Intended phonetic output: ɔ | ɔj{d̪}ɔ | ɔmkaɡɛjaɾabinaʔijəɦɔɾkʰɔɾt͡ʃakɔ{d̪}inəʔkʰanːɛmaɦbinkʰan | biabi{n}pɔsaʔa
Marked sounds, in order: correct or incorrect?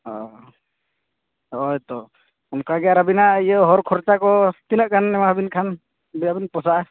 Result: incorrect, incorrect, correct

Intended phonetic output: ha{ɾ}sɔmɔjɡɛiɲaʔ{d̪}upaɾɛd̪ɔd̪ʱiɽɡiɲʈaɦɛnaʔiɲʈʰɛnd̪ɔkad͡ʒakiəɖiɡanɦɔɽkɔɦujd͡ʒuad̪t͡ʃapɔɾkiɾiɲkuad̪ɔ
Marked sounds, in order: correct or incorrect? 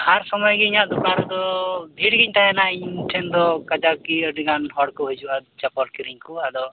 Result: correct, correct

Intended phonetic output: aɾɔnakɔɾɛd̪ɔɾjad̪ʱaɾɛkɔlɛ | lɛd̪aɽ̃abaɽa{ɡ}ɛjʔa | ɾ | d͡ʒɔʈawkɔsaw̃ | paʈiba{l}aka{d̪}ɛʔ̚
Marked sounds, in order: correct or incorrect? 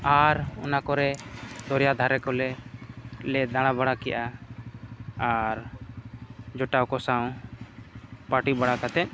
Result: incorrect, incorrect, incorrect

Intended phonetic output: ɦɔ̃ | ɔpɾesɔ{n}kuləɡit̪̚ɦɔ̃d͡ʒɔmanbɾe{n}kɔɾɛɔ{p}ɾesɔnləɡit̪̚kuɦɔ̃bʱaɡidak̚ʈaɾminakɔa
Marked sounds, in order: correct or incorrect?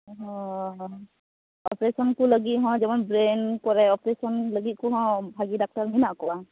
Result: correct, correct, correct

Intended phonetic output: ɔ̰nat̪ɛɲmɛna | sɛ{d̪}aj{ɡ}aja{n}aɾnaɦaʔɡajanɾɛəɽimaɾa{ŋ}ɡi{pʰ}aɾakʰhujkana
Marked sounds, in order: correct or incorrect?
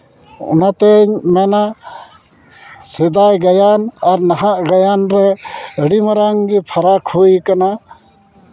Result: correct, correct, correct, correct, correct

